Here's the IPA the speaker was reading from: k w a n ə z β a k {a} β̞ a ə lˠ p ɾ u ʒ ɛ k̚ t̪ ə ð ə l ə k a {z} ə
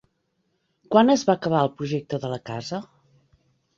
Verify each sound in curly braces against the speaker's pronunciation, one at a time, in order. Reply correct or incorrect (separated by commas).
incorrect, correct